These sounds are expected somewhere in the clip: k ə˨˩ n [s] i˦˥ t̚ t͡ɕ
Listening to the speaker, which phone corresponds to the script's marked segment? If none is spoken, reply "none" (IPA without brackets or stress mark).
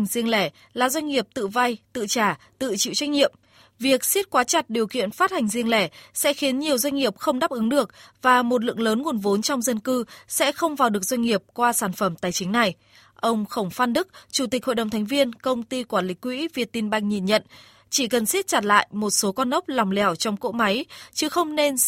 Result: s